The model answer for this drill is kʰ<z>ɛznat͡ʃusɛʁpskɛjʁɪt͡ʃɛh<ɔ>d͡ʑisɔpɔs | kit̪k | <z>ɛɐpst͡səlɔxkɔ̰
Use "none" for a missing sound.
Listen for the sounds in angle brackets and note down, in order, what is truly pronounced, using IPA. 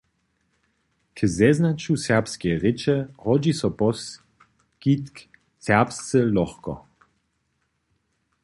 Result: z, ɔ, s

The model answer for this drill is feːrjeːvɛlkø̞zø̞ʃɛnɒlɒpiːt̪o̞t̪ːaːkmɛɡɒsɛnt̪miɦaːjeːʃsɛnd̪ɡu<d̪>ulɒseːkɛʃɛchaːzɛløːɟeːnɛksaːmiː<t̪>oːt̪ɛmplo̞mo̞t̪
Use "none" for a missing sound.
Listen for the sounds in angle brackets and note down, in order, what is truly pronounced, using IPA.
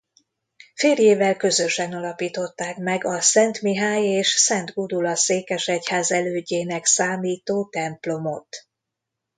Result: d̪, t̪

